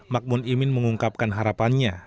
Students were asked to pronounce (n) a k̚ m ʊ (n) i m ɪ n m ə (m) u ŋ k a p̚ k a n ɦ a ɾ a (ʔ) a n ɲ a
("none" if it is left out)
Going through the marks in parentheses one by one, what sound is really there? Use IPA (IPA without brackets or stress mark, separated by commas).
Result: m, n, ŋ, p